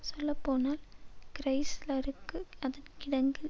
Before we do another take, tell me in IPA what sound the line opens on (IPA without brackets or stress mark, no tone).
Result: s